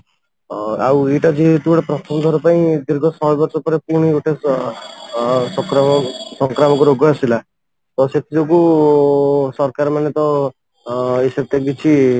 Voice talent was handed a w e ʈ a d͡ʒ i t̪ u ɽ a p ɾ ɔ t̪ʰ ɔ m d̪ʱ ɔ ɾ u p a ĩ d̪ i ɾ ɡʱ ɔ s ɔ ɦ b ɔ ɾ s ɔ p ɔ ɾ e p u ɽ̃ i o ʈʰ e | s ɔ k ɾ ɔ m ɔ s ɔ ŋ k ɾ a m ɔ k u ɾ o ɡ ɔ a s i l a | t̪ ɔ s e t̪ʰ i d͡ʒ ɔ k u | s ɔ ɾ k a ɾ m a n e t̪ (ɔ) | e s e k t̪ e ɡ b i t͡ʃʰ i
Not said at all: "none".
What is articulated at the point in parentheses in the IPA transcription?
ɔ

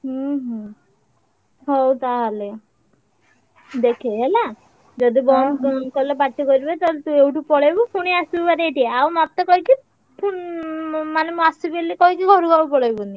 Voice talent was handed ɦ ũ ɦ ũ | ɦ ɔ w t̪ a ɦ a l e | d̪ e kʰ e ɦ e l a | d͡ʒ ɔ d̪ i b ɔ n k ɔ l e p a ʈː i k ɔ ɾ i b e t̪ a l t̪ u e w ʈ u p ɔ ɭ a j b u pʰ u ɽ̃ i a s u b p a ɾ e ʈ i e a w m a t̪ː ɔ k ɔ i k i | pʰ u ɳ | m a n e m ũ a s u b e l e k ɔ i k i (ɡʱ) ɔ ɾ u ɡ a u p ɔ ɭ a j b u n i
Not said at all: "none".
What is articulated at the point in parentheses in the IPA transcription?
ɡʱ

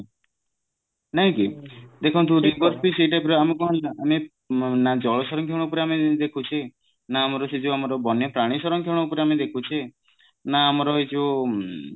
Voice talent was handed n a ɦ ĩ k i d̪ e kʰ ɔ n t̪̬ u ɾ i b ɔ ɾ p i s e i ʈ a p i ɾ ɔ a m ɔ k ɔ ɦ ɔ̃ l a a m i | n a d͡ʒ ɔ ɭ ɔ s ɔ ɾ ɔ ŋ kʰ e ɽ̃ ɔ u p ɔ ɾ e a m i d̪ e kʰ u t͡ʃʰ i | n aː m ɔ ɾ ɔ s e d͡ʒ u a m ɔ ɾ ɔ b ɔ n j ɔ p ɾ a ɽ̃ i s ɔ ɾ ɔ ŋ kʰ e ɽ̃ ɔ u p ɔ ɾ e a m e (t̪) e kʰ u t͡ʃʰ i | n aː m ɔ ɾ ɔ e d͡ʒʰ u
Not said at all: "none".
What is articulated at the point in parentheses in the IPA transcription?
d̪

